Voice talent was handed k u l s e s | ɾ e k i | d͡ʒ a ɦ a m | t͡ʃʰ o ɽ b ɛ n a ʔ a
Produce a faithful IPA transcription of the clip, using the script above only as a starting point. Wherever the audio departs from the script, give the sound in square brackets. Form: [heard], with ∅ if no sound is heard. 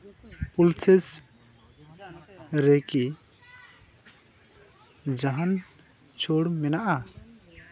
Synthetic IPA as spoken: [p] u l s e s | ɾ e k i | d͡ʒ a ɦ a [n] | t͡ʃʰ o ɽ [m] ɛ n a ʔ a

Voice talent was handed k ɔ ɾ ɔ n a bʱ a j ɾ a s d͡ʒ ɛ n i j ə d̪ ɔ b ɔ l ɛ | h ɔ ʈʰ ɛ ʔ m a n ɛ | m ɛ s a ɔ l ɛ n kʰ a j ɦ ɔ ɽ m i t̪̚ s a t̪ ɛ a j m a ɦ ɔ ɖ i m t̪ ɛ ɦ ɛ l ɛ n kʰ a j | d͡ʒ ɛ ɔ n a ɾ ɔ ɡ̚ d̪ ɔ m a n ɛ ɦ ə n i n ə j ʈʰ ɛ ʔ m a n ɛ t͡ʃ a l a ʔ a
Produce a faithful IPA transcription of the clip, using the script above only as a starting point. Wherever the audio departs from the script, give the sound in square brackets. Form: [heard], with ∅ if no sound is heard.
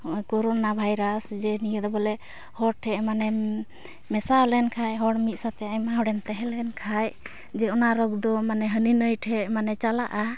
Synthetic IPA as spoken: k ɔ ɾ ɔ n a bʱ a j ɾ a s d͡ʒ ɛ n i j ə d̪ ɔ b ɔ l ɛ | h ɔ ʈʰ ɛ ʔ m a n ɛ | m ɛ s a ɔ l ɛ n kʰ a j ɦ ɔ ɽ m i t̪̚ s a t̪ ɛ a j m a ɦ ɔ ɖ [ɛ] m t̪ ɛ ɦ ɛ l ɛ n kʰ a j | d͡ʒ ɛ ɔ n a ɾ ɔ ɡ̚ d̪ ɔ m a n ɛ ɦ ə n i n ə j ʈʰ ɛ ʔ m a n ɛ t͡ʃ a l a ʔ a

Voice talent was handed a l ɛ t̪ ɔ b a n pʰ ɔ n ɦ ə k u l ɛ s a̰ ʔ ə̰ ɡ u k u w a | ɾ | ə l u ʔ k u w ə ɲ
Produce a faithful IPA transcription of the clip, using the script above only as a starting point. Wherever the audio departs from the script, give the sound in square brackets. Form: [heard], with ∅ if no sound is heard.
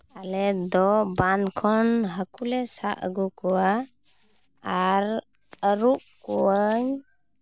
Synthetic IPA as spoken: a l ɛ [d̪] ɔ b a n [kʰ] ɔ n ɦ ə k u l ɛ s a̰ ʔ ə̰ ɡ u k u w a | ɾ | ə [ɾ] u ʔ k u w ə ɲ

